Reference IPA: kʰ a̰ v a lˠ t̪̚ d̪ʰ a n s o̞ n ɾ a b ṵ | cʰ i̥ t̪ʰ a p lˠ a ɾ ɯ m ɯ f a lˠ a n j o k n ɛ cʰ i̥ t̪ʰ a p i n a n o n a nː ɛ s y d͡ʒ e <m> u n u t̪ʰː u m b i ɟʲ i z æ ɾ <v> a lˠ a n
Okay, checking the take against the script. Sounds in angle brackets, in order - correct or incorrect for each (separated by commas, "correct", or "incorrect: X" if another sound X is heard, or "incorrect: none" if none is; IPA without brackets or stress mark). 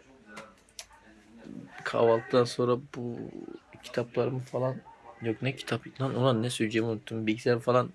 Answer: correct, incorrect: f